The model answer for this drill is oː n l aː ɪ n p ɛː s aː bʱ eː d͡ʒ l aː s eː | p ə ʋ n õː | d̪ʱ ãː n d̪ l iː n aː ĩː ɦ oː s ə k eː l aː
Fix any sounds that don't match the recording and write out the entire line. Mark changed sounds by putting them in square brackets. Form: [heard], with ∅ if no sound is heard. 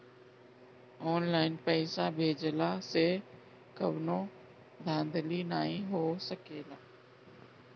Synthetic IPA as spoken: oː n l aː ɪ n p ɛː s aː bʱ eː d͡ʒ l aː s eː | [k] ə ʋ n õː | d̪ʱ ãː n d̪ l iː n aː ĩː ɦ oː s ə k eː l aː